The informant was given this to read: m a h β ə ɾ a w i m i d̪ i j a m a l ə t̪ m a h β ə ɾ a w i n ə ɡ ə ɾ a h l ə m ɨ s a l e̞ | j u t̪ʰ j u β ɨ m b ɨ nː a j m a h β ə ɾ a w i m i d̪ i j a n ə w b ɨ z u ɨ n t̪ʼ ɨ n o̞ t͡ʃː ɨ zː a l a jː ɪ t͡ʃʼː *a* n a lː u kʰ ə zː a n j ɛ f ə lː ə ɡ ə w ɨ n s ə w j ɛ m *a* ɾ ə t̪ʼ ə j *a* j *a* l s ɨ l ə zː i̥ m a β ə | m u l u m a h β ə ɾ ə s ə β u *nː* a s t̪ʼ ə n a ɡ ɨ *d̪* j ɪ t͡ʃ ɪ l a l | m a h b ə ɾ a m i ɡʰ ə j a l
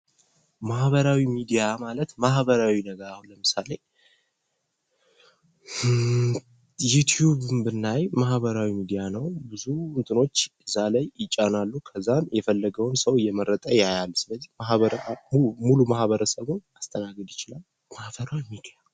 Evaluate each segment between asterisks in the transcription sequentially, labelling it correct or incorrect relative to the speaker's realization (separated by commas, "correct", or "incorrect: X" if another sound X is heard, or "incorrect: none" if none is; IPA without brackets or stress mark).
correct, incorrect: ə, correct, correct, incorrect: n, correct